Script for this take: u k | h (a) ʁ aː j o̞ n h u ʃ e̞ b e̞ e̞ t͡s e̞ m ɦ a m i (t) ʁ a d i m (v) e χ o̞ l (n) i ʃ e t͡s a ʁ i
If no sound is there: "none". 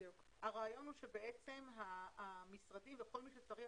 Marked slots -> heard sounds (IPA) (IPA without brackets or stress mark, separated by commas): a, s, v, m